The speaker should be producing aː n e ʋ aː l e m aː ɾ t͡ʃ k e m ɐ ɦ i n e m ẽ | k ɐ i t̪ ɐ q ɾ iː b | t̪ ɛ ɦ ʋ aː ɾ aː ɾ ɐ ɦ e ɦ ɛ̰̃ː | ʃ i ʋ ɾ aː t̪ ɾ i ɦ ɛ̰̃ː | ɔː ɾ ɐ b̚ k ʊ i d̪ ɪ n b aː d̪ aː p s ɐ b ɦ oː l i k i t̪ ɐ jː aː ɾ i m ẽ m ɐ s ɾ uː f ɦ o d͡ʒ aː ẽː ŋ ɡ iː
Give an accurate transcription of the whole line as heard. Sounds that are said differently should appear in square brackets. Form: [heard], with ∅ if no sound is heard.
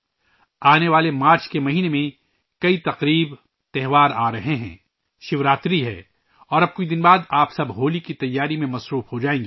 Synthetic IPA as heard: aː n e ʋ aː l e m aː ɾ t͡ʃ k e m ɐ ɦ [iː] n e m ẽ | k ɐ i t̪ ɐ q ɾ iː b | t̪ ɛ ɦ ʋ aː ɾ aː ɾ ɐ ɦ e ɦ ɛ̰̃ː | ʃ [ɪ] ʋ ɾ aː t̪ ɾ i ɦ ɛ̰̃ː | ɔː ɾ ɐ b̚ k ʊ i d̪ ɪ n b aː d̪ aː p s ɐ b ɦ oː l i k i t̪ ɐ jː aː ɾ i m ẽ m ɐ s ɾ uː f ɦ o d͡ʒ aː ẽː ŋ ɡ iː